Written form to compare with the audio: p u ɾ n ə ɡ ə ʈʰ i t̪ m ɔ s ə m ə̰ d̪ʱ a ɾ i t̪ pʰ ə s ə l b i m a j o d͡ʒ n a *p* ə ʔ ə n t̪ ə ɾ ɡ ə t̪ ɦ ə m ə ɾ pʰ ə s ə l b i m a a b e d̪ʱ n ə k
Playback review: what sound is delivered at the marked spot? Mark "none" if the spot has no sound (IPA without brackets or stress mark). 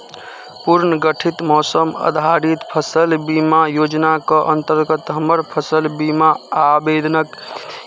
k